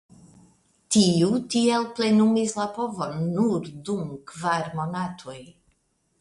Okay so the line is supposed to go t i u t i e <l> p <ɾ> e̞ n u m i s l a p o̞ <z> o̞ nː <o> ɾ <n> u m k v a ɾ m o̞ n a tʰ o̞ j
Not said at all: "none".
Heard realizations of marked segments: l, l, v, u, d

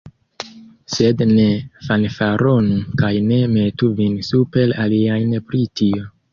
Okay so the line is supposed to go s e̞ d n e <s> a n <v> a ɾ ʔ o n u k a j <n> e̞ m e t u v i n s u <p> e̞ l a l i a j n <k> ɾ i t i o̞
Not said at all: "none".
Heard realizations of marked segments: f, f, n, p, p

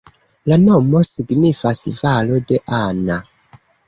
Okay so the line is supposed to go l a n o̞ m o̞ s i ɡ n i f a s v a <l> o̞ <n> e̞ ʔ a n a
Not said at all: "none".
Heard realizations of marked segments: l, d

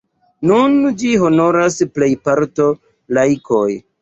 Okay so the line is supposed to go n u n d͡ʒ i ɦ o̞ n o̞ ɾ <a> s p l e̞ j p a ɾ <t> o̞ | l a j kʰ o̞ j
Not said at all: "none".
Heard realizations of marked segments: a, t

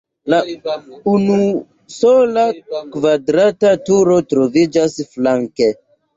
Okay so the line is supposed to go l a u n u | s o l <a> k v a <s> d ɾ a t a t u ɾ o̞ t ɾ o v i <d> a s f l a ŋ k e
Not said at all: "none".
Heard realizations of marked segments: a, none, d͡ʒ

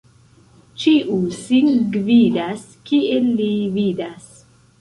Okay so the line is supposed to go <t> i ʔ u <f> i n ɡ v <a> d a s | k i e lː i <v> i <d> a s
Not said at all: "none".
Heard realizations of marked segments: t͡ʃ, s, i, v, d

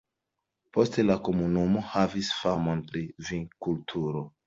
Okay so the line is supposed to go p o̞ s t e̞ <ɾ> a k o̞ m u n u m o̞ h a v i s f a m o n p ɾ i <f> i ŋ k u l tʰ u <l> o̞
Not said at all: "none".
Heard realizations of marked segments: l, v, ɾ

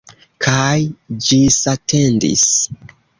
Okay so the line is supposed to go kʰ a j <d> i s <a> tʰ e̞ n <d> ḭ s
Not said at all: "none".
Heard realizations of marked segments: d͡ʒ, a, d

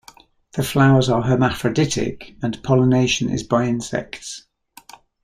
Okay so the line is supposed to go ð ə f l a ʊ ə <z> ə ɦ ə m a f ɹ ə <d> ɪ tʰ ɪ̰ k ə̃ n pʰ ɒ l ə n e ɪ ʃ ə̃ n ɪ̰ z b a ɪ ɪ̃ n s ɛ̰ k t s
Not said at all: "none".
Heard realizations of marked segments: z, d

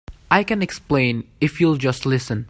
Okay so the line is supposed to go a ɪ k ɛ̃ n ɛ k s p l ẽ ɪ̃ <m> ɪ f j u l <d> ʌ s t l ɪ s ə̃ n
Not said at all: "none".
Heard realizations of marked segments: n, d͡ʒ

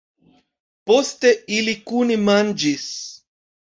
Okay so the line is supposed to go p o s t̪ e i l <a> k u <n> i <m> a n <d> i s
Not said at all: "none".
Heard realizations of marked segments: i, n, m, d͡ʒ

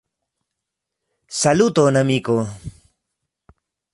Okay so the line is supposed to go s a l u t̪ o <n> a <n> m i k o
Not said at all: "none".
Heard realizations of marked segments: n, none

